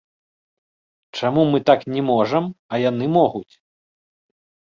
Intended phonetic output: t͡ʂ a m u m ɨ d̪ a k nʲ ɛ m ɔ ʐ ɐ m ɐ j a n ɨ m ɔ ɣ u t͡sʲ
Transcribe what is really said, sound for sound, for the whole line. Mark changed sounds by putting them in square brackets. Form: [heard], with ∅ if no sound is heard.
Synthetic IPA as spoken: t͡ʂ a m u m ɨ [t̪] a k nʲ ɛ m ɔ ʐ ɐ m ɐ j a n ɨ m ɔ ɣ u t͡sʲ